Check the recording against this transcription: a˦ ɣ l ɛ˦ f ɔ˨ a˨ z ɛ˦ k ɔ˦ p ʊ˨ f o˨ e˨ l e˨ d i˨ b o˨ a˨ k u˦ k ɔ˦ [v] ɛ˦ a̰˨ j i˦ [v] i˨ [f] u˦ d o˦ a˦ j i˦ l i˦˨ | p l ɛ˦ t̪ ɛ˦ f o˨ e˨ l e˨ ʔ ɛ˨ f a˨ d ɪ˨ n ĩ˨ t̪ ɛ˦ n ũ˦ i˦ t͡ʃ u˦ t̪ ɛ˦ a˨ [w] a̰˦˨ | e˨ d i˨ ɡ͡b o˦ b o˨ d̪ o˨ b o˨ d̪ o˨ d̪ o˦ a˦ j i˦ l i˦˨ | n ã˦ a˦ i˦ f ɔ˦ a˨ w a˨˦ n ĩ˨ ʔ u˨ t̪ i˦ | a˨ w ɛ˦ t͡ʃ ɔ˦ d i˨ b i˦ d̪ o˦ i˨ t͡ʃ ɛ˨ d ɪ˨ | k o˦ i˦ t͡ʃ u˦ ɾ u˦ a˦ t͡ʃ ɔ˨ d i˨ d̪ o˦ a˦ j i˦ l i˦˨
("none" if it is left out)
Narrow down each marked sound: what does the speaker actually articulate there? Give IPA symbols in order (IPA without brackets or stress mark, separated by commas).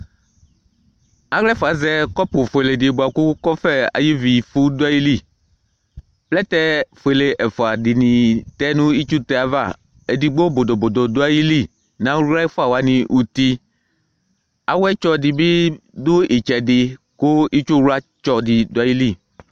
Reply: f, v, f, v